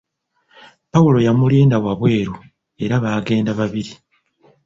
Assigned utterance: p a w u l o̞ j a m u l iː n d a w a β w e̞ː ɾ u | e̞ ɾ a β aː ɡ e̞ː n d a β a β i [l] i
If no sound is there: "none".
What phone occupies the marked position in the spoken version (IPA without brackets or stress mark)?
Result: ɾ